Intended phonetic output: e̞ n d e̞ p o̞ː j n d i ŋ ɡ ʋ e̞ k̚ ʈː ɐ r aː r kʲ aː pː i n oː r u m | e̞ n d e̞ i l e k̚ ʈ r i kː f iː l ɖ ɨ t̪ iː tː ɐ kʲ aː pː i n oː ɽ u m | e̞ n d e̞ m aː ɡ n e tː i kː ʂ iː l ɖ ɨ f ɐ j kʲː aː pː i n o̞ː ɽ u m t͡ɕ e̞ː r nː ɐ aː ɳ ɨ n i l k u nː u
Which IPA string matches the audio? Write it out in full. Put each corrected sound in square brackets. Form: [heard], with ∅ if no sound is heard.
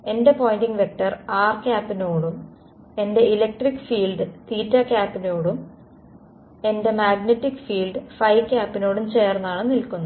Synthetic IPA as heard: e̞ n d e̞ p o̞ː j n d i ŋ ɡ ʋ e̞ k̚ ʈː ɐ r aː r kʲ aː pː i n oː [ɽ] u m | e̞ n d e̞ i l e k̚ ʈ r i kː f iː l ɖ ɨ t̪ iː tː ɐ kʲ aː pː i n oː ɽ u m | e̞ n d e̞ m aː ɡ n e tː i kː [f] iː l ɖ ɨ f ɐ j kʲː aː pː i n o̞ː ɽ u m t͡ɕ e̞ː r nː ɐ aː ɳ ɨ n i l k u nː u